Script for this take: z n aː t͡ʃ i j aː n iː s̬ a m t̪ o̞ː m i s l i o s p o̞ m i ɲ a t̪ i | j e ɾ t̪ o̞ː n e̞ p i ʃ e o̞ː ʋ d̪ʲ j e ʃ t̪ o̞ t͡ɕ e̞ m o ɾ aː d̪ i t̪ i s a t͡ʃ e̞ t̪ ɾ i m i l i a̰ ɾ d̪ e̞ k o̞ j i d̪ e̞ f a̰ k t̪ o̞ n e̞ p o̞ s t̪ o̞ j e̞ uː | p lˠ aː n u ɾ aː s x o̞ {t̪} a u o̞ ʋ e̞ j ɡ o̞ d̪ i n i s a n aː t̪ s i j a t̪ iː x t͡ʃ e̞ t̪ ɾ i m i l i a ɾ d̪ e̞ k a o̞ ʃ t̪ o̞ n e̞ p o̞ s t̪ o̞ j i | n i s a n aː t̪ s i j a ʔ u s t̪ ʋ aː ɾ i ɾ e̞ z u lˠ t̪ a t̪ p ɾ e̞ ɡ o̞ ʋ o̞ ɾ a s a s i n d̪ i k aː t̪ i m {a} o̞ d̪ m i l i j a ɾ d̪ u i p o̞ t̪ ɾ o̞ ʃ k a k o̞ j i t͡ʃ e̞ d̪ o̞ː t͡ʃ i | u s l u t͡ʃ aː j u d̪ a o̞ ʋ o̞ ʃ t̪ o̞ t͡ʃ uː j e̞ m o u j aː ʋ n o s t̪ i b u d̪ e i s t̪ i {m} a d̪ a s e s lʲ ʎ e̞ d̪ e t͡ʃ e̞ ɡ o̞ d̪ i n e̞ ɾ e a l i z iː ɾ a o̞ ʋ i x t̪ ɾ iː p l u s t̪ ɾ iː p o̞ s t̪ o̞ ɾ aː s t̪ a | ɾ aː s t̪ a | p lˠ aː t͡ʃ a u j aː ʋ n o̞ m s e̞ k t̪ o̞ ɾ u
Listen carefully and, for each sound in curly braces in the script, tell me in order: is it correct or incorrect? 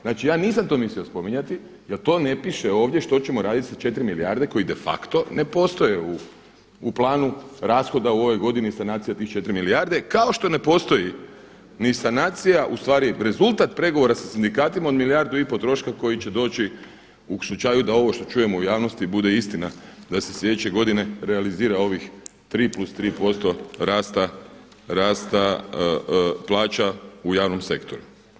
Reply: incorrect: d̪, correct, incorrect: n

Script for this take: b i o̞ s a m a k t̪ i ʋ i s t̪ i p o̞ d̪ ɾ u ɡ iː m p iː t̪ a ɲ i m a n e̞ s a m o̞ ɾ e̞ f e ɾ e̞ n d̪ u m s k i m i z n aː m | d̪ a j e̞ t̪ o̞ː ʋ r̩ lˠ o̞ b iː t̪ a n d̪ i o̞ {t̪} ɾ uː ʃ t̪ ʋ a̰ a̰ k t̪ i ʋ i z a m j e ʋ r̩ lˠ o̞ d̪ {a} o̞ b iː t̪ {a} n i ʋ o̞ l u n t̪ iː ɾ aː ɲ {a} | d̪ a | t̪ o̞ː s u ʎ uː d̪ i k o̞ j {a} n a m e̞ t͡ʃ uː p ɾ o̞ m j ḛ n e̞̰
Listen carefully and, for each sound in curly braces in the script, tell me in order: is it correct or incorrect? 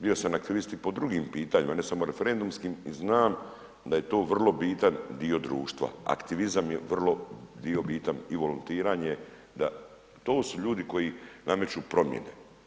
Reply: incorrect: d̪, incorrect: i, correct, incorrect: e, incorrect: i

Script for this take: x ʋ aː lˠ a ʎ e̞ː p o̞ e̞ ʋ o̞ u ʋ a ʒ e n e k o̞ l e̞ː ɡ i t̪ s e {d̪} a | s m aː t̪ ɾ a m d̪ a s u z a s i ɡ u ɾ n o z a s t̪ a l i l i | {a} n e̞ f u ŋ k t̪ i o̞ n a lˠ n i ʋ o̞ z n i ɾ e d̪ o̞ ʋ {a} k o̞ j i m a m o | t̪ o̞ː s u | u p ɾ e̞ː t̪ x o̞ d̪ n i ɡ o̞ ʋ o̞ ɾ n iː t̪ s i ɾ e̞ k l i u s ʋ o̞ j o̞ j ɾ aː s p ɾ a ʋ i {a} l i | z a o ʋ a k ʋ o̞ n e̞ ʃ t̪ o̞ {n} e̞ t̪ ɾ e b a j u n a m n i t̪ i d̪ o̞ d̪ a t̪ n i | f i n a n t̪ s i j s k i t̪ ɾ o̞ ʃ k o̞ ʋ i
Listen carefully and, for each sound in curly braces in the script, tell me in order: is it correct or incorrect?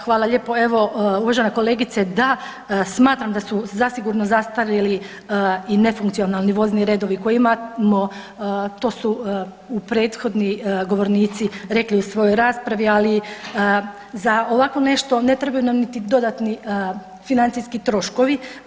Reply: correct, incorrect: i, incorrect: i, correct, correct

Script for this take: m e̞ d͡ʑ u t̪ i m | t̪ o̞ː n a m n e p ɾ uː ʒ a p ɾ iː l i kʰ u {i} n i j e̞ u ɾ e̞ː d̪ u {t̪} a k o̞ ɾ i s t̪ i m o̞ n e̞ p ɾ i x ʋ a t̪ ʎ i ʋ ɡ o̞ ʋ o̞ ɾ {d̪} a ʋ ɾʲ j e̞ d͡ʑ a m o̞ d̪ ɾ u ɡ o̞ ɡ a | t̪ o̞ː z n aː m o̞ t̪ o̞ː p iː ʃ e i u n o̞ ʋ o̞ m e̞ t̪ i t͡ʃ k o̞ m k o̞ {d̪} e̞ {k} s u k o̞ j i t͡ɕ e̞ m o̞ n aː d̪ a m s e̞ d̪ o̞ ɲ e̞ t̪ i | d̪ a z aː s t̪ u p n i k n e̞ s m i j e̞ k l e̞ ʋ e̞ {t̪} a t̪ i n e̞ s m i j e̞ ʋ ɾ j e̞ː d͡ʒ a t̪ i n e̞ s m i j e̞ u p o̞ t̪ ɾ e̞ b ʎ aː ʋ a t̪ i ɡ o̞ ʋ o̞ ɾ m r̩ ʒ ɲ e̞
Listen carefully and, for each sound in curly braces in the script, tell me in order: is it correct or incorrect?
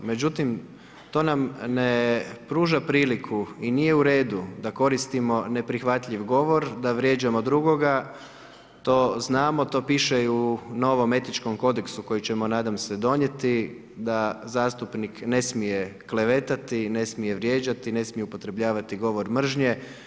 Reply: correct, incorrect: d̪, correct, correct, correct, correct

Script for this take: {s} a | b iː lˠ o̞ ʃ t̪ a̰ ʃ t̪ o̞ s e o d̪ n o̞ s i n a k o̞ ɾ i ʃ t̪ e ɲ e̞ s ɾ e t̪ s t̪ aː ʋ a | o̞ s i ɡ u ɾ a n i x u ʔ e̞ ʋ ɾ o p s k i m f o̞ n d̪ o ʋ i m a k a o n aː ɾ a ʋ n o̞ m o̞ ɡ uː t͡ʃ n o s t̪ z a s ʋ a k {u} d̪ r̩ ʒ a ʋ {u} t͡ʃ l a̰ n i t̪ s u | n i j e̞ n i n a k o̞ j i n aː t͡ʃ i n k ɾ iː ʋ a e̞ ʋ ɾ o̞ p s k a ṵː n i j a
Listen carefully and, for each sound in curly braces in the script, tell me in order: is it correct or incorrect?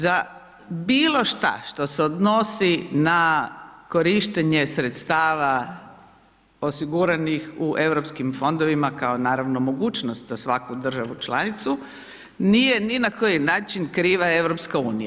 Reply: incorrect: z, correct, correct

